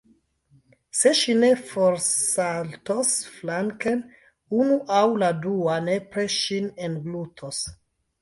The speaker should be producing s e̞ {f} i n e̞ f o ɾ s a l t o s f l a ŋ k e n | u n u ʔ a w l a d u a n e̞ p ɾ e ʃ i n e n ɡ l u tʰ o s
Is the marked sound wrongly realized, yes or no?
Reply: yes